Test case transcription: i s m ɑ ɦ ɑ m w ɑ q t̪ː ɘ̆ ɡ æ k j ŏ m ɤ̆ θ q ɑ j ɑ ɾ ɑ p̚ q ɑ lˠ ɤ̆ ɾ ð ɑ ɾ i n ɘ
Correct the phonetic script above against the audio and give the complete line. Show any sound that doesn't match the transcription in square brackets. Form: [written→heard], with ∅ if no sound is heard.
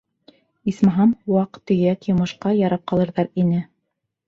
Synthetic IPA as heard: i s m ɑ ɦ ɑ m w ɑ q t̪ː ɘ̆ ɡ æ k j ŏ m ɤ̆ [θ→ʃ] q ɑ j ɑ ɾ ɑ p̚ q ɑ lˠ ɤ̆ ɾ ð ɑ ɾ i n ɘ